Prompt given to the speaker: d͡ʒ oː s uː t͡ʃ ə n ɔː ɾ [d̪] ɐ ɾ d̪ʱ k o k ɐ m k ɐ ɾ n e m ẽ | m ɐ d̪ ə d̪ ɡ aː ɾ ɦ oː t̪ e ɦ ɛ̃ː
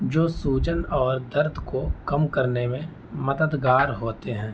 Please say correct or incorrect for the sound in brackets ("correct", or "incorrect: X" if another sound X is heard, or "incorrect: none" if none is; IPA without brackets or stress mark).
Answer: correct